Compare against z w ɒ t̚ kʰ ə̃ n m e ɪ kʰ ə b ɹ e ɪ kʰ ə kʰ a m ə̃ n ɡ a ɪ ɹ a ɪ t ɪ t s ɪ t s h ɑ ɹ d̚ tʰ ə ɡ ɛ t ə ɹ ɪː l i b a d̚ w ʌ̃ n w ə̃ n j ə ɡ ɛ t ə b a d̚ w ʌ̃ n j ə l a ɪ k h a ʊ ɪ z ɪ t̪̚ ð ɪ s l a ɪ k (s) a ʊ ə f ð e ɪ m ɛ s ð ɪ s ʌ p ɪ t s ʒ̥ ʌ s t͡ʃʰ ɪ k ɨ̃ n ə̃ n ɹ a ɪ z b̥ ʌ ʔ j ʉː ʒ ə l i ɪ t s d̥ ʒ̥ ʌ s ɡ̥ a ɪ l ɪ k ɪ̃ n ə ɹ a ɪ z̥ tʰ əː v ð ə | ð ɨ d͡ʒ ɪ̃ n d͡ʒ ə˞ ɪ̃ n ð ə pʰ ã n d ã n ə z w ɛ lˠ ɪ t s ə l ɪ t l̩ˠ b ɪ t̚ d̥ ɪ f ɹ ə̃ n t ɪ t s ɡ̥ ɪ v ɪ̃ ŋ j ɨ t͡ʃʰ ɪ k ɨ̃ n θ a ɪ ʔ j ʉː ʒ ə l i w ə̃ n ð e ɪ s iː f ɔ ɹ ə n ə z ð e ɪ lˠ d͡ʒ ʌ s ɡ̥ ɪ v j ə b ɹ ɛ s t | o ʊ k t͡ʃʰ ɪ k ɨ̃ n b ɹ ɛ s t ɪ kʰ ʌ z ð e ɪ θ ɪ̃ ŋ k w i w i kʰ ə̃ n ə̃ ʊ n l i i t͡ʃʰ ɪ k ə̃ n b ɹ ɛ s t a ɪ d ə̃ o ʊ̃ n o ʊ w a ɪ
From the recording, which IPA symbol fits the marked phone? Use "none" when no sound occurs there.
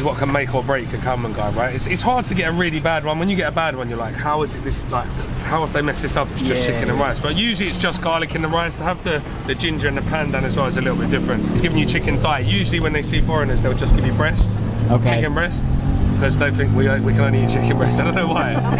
h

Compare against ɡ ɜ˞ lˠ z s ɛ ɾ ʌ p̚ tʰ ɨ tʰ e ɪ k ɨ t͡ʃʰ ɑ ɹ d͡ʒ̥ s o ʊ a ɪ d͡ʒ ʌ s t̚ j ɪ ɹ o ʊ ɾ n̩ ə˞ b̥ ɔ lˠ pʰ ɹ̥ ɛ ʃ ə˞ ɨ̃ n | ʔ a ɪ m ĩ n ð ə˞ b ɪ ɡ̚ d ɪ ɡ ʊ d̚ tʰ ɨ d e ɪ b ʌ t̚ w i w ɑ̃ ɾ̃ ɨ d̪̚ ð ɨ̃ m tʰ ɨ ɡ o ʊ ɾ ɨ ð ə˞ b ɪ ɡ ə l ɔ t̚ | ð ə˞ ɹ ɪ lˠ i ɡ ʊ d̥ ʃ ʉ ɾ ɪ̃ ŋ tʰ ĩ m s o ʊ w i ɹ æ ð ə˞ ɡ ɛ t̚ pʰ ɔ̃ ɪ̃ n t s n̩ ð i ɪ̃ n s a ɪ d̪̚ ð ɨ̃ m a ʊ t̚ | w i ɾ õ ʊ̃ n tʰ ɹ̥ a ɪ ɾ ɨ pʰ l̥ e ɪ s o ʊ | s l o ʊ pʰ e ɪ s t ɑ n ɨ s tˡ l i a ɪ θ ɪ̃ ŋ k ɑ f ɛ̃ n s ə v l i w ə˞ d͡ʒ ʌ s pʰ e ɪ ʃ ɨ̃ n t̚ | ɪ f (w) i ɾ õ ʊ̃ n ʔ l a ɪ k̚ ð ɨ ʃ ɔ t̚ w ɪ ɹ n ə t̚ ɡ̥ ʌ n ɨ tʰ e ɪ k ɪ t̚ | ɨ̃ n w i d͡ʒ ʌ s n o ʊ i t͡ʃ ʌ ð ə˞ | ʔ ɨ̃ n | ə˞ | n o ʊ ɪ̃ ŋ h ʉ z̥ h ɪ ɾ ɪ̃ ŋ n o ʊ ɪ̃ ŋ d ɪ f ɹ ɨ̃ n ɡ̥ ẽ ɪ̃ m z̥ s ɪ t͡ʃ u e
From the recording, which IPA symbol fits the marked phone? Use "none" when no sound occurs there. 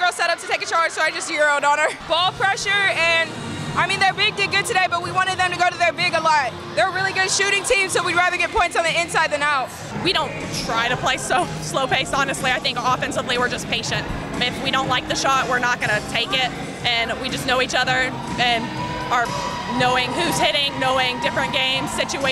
w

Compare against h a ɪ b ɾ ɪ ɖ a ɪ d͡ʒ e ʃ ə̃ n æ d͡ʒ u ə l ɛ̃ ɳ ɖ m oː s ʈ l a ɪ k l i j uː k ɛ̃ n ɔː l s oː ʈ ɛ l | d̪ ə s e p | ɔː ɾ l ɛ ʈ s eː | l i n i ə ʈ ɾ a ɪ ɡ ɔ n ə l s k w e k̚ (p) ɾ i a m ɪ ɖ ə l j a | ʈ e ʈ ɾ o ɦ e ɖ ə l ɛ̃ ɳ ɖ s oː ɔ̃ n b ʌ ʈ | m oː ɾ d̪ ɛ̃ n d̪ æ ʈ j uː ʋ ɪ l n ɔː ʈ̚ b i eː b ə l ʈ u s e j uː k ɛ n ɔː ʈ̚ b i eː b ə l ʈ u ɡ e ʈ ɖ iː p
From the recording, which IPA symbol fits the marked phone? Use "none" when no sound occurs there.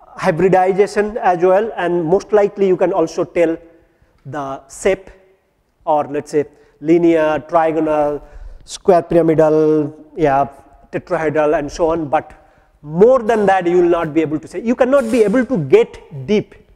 p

